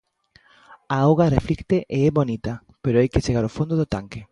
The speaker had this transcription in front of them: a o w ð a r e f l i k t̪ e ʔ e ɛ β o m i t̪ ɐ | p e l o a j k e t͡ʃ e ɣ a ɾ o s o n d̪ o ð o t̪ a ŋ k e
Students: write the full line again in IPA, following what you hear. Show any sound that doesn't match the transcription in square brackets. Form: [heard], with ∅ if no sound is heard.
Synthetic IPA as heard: a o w [ɣ] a r e f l i k t̪ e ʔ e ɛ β o [n] i t̪ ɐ | p e [ɾ] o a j k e t͡ʃ e ɣ a ɾ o [f] o n d̪ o ð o t̪ a ŋ k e